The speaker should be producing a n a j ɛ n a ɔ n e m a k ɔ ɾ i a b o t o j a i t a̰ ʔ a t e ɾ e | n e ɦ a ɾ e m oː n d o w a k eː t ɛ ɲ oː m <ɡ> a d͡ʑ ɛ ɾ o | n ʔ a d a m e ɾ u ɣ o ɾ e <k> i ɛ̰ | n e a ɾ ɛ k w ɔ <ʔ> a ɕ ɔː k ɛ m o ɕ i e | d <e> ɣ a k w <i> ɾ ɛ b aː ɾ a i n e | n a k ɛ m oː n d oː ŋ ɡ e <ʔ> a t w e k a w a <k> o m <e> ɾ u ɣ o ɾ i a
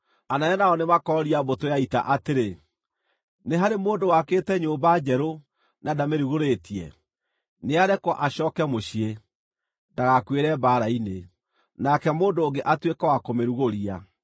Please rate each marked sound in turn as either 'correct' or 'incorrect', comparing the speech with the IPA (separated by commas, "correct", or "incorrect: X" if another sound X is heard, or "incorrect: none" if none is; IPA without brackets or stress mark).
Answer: incorrect: b, incorrect: t, correct, incorrect: a, incorrect: e, correct, correct, correct